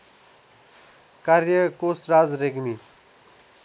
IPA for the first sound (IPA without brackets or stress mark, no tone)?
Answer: k